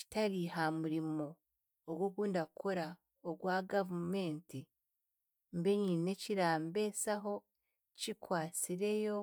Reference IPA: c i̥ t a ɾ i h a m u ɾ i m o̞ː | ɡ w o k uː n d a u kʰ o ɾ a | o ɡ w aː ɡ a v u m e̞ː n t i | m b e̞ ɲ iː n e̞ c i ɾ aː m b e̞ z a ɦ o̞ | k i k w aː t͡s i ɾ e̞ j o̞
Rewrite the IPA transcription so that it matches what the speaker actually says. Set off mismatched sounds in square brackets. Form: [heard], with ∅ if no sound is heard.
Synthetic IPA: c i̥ t a ɾ i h a m u ɾ i m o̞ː | ɡ w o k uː n d a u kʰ o ɾ a | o ɡ w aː ɡ a v u m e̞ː n t i | m b e̞ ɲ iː n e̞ c i ɾ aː m b e̞ [s] a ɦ o̞ | [c] i k w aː t͡s i ɾ e̞ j o̞